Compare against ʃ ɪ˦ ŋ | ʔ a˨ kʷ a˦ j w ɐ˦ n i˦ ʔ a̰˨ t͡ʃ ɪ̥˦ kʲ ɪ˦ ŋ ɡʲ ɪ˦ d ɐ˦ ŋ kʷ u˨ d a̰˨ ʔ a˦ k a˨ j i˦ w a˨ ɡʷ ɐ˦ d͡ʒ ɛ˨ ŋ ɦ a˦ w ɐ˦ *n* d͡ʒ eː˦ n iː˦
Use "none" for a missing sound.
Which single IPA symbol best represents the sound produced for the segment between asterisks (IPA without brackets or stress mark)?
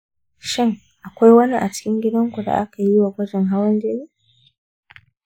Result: n